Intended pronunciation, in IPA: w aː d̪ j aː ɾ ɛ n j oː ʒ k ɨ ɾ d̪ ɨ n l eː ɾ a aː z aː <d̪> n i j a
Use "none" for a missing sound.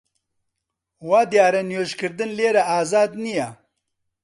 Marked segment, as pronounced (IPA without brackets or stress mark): d̪